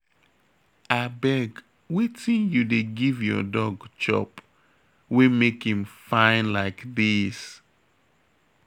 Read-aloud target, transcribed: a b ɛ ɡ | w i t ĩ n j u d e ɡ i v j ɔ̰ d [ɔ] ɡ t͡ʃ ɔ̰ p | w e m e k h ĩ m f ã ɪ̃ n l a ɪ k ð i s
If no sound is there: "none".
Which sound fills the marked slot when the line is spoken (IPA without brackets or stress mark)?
ɔ